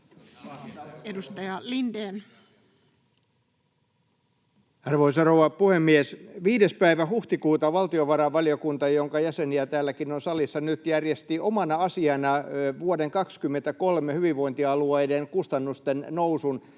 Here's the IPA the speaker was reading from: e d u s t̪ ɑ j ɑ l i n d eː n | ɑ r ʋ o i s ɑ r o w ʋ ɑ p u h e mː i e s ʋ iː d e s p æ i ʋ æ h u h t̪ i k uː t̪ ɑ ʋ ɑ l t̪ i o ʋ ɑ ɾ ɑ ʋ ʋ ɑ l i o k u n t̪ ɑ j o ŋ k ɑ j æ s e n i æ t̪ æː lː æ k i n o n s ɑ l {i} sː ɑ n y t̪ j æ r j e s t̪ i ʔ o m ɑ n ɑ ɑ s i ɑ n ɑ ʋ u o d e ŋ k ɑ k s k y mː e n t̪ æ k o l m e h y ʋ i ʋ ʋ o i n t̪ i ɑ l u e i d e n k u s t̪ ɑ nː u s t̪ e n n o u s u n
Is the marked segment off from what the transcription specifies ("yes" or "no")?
no